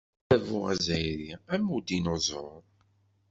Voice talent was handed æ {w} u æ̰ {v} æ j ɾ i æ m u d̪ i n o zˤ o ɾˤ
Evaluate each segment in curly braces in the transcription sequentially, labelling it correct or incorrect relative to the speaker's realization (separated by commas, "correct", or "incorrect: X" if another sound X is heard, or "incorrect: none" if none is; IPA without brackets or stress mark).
incorrect: v, incorrect: z